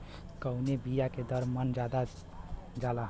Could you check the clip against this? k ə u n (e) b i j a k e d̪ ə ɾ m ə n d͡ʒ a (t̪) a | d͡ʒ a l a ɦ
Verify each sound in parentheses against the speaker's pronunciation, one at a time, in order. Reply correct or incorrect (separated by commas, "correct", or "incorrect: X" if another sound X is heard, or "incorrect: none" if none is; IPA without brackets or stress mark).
correct, incorrect: d̪